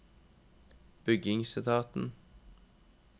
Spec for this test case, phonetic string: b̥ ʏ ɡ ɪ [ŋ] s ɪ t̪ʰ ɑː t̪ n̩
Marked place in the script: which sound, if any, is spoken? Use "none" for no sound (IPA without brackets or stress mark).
ŋ